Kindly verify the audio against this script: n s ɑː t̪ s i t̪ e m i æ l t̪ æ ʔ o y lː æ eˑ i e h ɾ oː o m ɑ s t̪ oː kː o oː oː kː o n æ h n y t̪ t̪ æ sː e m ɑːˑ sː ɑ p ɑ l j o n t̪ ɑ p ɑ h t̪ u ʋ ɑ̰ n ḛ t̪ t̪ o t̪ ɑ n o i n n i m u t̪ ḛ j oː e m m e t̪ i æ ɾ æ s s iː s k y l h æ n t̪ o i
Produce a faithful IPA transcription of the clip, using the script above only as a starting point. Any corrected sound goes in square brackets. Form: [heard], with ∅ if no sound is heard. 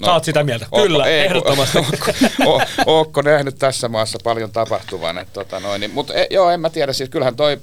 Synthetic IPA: n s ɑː t̪ s i t̪ [æ] m i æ l t̪ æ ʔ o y lː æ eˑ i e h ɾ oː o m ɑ s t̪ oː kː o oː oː kː o n æ h n y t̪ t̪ æ sː [æ] m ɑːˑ sː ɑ p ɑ l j o n t̪ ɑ p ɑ h t̪ u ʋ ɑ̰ n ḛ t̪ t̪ o t̪ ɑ n o i n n i m u t̪ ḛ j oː e m m [æ] t̪ i æ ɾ æ s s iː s k y l h æ n t̪ o i